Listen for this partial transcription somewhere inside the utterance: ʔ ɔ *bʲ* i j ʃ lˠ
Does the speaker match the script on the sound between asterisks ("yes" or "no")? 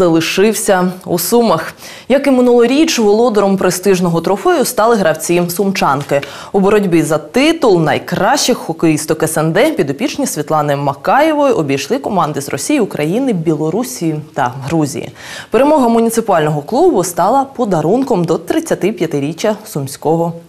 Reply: yes